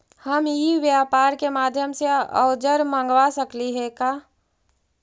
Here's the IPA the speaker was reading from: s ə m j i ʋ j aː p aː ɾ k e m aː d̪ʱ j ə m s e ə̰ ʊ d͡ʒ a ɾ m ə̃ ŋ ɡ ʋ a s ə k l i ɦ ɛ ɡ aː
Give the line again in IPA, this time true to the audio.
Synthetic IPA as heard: h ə m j i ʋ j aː p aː ɾ k e m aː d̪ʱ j ə m s e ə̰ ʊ d͡ʒ ə ɾ m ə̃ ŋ ɡ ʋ a s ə k l i ɦ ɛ k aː